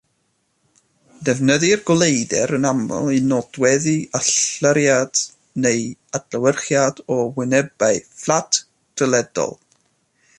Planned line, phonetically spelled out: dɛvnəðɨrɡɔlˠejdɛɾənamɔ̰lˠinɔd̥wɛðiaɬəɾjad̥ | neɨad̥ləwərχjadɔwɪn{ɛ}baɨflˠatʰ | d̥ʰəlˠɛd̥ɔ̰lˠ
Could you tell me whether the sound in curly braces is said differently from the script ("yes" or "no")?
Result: no